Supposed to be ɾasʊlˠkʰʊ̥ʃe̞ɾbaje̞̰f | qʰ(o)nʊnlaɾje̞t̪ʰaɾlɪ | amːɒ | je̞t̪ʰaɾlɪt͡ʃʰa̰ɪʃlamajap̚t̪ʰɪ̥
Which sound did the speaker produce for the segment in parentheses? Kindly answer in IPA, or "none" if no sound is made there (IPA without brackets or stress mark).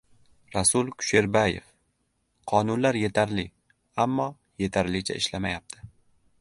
ɒ